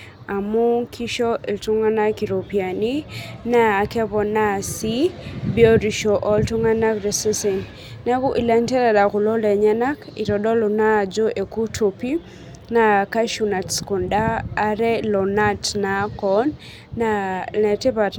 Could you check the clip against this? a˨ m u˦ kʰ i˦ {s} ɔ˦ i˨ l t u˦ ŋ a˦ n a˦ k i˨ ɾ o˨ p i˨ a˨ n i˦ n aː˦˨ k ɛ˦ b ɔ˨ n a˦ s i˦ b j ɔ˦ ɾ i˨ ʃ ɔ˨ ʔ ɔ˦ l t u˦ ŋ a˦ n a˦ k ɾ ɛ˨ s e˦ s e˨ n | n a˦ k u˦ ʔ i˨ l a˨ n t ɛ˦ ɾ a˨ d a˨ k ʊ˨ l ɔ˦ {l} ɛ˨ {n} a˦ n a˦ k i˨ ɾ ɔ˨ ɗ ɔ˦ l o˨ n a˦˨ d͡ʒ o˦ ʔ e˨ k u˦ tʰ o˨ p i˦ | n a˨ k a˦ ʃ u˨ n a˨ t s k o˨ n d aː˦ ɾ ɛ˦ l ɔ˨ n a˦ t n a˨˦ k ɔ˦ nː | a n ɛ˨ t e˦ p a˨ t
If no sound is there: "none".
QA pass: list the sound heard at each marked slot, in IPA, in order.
ʃ, l, ɲ

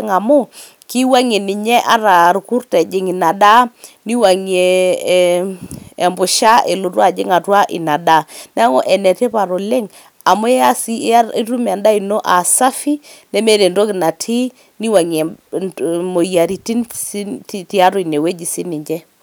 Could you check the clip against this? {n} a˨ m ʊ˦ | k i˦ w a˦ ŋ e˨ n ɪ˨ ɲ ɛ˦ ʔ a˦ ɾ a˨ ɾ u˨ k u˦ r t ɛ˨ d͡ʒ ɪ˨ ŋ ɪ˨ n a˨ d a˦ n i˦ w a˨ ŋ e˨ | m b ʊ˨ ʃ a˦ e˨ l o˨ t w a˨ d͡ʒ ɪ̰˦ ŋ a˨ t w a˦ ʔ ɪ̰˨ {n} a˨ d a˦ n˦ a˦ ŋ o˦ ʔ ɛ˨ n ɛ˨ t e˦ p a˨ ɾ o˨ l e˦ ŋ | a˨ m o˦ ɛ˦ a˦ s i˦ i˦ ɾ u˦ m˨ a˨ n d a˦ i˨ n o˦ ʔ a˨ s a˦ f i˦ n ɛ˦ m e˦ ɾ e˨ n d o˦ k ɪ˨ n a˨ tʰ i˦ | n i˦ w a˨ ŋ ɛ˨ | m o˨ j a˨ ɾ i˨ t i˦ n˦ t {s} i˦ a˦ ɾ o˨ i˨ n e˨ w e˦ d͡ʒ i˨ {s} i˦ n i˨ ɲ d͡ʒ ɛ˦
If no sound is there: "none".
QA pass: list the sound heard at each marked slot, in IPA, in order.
ŋ, n, t, s

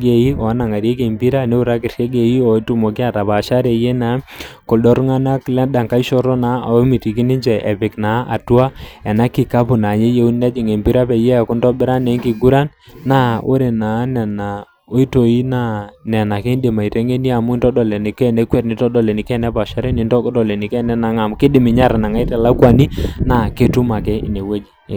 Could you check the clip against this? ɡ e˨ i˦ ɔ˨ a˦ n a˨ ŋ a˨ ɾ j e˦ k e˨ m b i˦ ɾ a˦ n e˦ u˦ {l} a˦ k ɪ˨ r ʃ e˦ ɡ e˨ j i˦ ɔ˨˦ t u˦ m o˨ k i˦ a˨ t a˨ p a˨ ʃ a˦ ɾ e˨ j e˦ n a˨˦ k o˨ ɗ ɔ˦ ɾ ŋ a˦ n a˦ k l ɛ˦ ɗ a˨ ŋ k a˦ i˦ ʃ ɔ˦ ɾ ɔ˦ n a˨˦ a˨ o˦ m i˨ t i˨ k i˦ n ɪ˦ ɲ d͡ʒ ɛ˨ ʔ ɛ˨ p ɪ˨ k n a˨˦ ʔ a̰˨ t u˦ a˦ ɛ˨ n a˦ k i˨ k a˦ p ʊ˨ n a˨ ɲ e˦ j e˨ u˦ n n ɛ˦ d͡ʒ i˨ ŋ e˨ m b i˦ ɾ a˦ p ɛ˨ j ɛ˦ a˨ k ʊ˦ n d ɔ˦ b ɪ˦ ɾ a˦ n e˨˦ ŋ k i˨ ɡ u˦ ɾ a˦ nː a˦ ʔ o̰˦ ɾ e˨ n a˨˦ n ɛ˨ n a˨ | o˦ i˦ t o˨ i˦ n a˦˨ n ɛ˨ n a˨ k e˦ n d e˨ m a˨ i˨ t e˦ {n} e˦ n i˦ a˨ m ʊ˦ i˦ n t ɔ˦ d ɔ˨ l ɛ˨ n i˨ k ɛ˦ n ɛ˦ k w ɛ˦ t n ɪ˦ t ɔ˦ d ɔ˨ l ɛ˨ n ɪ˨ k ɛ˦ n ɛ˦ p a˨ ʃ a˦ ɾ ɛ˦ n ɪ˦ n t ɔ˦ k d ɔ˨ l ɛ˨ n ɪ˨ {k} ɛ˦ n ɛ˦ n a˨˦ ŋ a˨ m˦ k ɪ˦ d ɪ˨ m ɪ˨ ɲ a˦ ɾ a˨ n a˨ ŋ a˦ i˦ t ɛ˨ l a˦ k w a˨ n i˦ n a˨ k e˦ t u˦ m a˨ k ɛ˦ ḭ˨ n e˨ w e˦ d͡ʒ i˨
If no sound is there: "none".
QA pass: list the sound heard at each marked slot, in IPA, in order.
ɾ, ŋ, k

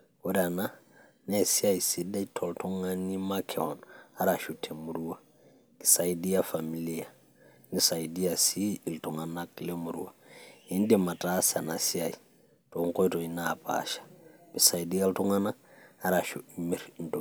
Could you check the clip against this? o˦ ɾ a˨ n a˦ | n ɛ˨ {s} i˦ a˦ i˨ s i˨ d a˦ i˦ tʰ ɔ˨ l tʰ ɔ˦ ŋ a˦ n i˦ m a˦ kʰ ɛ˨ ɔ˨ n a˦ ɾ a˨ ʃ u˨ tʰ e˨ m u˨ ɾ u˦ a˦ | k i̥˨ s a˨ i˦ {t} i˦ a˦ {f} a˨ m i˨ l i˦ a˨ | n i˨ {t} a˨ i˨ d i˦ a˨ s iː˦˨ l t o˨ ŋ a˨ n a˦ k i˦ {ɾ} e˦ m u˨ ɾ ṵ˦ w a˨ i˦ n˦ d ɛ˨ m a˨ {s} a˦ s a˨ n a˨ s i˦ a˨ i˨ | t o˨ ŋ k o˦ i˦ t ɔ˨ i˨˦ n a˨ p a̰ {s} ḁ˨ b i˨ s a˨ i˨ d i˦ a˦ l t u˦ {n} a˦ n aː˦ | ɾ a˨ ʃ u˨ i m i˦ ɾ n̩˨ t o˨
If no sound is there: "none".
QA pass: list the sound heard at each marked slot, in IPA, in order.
s, d, f, s, l, t, ʃ, ŋ

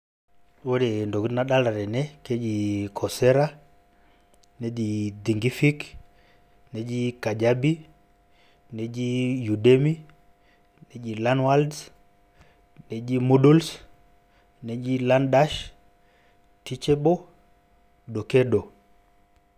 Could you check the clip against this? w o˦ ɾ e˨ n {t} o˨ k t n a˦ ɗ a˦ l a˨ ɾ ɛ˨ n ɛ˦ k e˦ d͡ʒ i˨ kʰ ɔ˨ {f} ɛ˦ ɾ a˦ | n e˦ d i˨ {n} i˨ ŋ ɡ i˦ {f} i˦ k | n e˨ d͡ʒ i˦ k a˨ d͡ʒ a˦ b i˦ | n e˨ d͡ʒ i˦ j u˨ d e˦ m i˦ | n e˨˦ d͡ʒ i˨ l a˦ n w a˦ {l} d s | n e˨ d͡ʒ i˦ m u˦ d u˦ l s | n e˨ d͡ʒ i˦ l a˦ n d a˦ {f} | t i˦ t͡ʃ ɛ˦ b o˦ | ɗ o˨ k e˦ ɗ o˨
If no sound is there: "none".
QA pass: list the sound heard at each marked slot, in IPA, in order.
d, s, d, f, l, ʃ

